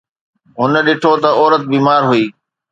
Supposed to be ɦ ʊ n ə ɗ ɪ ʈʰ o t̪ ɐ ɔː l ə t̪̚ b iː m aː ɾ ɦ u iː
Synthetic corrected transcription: ɦ ʊ n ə ɗ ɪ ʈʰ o t̪ ɐ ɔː ɾ ə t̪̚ b iː m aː ɾ ɦ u iː